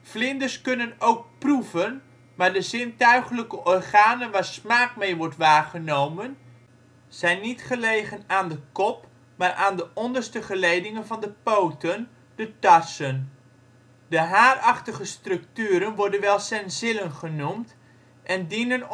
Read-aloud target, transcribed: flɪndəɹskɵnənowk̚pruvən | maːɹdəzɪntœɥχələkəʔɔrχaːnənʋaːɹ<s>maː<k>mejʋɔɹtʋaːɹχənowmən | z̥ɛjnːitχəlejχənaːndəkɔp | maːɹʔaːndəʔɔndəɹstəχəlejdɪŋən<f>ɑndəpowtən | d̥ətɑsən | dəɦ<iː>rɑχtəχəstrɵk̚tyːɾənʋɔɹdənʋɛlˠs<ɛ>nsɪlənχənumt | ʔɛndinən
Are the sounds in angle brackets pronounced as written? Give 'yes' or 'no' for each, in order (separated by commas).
yes, yes, no, no, yes